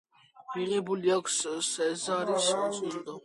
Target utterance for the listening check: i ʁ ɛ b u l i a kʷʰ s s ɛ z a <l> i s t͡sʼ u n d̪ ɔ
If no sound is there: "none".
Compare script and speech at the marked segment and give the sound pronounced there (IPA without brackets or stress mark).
ɾ